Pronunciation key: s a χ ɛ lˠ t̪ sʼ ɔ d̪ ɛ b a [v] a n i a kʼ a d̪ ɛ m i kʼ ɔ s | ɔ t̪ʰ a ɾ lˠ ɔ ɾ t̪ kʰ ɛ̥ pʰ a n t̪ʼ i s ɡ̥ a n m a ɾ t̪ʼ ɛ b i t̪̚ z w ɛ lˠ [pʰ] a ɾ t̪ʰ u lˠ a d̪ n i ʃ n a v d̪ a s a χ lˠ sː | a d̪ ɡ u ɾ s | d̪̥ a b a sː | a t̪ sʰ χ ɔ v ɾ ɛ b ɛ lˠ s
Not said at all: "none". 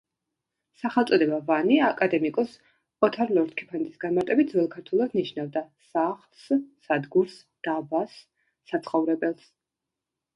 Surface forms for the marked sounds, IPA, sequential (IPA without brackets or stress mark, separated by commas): v, kʰ